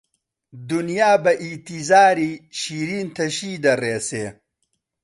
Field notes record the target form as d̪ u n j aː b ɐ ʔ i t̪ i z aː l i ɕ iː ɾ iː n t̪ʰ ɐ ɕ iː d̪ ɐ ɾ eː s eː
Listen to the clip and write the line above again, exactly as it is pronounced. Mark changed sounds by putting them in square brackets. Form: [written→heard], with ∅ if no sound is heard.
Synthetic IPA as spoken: d̪ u n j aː b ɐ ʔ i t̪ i z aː [l→ɾ] i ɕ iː ɾ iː n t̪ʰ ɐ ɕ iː d̪ ɐ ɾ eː s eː